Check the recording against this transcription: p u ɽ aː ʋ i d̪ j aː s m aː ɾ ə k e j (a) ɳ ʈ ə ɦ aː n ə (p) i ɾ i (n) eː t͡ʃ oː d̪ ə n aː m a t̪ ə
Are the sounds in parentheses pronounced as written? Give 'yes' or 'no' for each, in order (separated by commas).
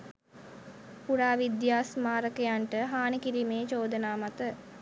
yes, no, no